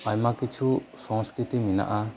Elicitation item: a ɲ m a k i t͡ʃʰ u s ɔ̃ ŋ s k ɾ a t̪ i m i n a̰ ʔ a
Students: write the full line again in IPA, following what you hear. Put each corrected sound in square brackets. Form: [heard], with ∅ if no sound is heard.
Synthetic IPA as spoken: a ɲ m a k i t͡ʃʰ u s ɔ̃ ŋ s k ɾ [i] t̪ i m i n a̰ ʔ a